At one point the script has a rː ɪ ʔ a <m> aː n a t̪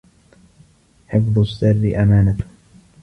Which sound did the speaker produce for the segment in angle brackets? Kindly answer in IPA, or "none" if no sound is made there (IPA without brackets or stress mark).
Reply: m